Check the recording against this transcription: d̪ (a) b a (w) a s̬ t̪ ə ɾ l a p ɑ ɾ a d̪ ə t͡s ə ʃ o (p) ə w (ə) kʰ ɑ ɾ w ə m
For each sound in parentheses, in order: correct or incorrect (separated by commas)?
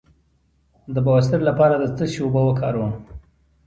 incorrect, correct, incorrect, correct